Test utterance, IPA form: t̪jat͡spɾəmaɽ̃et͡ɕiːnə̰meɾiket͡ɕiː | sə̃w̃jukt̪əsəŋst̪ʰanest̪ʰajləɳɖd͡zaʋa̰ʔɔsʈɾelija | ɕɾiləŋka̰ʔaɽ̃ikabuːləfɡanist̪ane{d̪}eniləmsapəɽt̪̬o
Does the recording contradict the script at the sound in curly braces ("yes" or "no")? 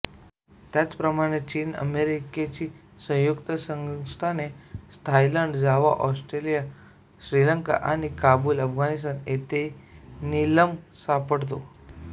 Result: yes